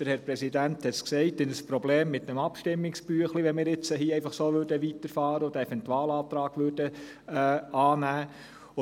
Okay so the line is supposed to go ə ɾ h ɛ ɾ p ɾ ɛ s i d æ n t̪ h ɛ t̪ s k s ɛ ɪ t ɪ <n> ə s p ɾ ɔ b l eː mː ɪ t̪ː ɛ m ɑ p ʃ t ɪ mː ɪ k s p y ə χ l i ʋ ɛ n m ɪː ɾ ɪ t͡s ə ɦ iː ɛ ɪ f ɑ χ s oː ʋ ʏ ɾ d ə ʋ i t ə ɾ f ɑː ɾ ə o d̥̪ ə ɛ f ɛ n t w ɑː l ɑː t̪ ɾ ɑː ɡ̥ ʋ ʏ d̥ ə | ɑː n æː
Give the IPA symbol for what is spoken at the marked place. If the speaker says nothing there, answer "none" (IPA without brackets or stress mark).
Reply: n